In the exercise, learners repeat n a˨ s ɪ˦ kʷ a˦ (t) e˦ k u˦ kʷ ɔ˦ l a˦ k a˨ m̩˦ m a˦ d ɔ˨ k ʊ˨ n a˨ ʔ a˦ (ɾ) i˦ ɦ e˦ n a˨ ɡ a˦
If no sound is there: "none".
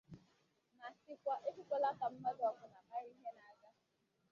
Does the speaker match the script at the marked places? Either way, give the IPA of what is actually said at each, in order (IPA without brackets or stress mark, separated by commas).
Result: ʔ, ɾ